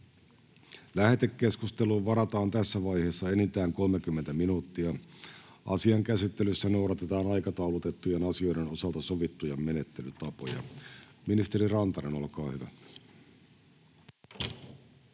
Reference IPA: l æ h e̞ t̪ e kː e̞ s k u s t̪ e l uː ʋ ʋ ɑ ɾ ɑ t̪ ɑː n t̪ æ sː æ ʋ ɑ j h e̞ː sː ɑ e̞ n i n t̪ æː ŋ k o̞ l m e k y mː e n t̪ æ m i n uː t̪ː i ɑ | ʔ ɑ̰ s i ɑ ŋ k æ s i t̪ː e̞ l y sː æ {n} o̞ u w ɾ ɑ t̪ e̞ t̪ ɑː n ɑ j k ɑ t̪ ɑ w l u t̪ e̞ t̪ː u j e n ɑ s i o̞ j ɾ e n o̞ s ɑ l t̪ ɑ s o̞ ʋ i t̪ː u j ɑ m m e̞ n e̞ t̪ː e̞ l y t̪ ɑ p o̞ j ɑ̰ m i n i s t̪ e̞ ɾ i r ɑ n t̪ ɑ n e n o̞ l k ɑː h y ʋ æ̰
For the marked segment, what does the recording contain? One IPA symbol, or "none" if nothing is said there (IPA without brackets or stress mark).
n